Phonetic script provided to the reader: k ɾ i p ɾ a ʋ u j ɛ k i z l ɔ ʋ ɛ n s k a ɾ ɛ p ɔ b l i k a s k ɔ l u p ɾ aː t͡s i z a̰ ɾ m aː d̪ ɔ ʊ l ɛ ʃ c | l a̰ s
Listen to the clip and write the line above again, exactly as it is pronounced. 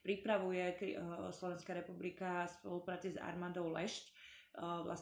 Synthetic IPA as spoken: p ɾ i p ɾ a ʋ u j ɛ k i s l ɔ ʋ ɛ n s k a ɾ ɛ p u b l i k a s p ɔ l u p ɾ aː t͡s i z a̰ ɾ m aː d̪ ɔ ʊ l ɛ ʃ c | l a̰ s